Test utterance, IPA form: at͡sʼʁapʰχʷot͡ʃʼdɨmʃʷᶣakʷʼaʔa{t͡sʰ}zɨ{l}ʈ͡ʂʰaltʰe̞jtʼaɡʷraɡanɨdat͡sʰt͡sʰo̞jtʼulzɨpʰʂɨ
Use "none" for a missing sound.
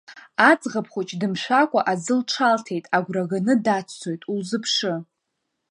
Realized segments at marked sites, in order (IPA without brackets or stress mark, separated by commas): none, l